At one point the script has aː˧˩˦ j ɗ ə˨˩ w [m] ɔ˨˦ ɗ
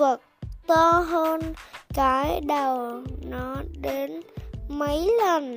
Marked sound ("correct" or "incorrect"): incorrect